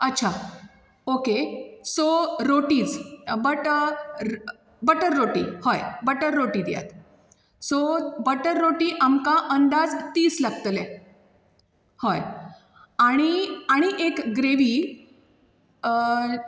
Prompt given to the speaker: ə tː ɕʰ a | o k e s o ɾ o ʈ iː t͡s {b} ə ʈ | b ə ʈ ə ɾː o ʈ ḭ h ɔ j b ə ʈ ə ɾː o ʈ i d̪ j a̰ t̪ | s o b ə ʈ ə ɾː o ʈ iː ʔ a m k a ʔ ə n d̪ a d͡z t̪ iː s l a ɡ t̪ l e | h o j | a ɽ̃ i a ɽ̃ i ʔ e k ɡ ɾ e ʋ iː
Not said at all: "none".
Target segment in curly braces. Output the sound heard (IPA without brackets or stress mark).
b